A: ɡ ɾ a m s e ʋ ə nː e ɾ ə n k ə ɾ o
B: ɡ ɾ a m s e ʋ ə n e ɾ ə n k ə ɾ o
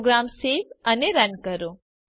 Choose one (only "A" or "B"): B